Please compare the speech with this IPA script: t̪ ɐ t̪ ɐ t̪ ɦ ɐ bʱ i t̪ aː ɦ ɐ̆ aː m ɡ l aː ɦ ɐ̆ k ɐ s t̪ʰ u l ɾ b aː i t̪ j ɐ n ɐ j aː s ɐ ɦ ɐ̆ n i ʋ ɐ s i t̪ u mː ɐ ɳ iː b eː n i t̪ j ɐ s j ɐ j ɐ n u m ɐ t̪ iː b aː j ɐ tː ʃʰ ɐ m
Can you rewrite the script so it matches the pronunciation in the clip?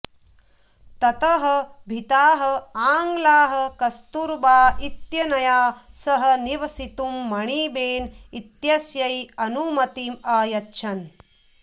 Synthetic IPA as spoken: t̪ ɐ t̪ ɐ ɦ ɐ bʱ i t̪ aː ɦ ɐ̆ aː ŋ ɡ l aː ɦ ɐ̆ k ɐ s t̪ u ɾ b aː i t̪ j ɐ n ɐ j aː s ɐ ɦ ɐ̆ n i ʋ ɐ s i t̪ u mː ɐ ɳ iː b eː n i t̪ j ɐ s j ɐ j ɐ n u m ɐ t̪ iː m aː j ɐ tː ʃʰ ɐ n